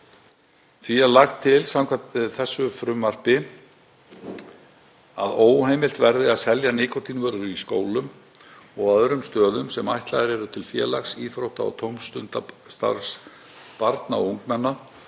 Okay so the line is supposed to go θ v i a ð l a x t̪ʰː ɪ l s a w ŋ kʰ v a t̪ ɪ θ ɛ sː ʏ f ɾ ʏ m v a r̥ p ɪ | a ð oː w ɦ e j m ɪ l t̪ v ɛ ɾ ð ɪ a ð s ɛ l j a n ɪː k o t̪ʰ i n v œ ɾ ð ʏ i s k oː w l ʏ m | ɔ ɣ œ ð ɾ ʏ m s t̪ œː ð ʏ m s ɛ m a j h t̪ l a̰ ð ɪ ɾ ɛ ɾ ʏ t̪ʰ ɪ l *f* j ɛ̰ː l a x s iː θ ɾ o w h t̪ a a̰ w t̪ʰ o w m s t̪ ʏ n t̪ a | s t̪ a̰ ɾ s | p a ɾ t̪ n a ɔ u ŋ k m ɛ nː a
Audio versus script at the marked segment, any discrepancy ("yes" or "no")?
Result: no